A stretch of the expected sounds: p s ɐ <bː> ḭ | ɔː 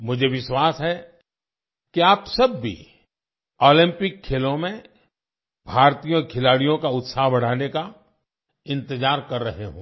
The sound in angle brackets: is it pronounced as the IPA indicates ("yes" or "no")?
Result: yes